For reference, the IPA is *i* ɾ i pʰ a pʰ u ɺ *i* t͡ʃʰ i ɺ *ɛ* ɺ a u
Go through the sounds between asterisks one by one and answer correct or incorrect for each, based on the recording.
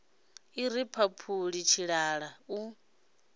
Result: correct, correct, incorrect

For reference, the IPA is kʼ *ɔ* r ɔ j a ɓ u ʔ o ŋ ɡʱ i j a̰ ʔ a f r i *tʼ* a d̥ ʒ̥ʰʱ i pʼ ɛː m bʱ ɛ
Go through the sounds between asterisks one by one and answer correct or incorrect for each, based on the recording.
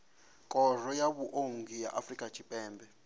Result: correct, incorrect

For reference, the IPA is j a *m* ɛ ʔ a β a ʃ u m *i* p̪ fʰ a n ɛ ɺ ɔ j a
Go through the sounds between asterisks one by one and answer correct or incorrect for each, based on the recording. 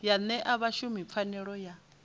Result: incorrect, correct

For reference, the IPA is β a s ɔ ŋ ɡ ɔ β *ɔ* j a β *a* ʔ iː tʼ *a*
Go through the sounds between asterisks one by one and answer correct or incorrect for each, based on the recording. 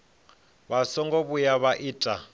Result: incorrect, correct, correct

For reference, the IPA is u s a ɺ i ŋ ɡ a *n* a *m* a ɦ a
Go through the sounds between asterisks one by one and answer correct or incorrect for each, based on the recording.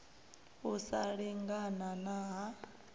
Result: correct, incorrect

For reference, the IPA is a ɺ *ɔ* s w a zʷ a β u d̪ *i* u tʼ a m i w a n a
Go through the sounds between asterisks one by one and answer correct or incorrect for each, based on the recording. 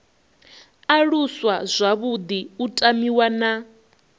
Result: incorrect, correct

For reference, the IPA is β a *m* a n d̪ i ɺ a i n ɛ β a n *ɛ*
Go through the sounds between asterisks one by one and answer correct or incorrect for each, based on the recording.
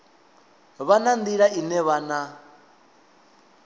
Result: incorrect, incorrect

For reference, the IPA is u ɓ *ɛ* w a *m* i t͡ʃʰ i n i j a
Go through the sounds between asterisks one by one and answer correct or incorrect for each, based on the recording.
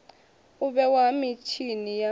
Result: correct, correct

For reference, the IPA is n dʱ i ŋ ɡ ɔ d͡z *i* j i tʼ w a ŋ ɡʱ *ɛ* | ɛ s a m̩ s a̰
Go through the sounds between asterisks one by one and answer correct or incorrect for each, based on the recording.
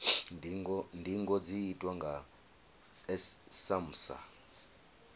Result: correct, incorrect

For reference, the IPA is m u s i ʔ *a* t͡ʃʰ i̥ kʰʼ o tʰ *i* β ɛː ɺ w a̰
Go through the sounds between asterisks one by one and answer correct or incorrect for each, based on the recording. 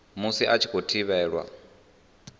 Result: correct, correct

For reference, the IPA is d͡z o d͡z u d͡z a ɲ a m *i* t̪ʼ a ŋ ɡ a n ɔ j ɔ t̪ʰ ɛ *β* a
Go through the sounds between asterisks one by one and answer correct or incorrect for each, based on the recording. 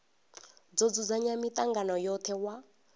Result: correct, incorrect

